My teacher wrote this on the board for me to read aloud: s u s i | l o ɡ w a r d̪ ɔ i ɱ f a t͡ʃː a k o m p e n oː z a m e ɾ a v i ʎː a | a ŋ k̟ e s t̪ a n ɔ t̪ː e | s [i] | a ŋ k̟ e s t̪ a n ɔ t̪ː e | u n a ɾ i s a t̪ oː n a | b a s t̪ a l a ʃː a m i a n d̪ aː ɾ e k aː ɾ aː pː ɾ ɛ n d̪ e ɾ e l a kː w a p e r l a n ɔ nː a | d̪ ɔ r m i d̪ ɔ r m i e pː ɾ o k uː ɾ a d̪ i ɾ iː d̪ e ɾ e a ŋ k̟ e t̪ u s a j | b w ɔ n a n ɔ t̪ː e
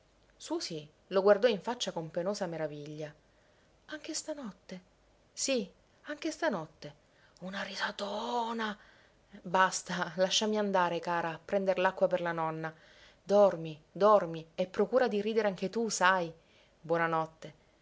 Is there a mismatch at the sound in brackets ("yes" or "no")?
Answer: no